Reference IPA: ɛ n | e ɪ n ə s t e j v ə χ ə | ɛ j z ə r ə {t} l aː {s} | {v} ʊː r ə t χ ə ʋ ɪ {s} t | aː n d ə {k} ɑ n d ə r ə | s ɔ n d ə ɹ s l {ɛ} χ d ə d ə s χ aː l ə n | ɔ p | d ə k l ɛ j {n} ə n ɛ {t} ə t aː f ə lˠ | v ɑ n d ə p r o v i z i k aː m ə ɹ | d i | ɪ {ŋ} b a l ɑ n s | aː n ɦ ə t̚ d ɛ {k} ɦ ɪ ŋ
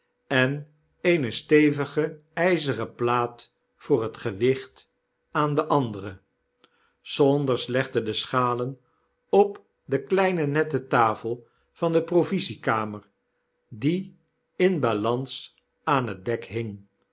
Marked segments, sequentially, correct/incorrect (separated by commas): incorrect, incorrect, incorrect, incorrect, incorrect, correct, correct, correct, incorrect, correct